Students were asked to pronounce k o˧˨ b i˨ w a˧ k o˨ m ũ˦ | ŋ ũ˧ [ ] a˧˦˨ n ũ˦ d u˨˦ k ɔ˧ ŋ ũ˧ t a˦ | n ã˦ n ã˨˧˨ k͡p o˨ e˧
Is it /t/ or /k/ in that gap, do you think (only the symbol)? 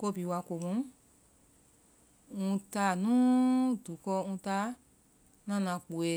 t